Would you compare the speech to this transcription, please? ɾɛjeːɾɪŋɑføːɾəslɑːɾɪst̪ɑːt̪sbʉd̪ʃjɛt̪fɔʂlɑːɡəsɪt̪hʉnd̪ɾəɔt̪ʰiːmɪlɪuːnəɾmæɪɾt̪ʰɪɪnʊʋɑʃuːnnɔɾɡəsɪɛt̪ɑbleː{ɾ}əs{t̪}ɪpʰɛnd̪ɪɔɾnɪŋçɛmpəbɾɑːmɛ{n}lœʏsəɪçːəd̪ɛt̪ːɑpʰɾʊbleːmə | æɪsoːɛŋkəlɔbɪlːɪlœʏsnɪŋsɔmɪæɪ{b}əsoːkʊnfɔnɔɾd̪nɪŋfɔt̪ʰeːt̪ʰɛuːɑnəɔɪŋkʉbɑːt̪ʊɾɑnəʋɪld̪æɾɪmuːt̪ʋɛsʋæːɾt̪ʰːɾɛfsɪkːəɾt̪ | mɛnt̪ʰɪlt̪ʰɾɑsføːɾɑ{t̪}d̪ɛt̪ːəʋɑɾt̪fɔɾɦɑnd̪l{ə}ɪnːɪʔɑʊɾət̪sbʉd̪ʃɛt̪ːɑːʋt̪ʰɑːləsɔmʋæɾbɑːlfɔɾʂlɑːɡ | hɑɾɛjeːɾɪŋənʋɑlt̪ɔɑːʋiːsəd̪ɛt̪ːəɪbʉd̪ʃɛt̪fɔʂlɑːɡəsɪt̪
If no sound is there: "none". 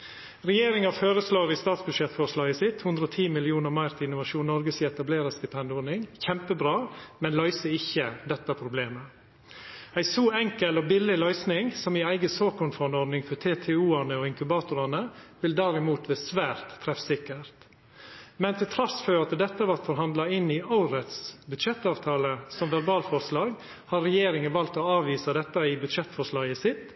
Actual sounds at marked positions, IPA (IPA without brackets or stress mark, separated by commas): ɾ, t̪, n, ɡ, t̪, ɑ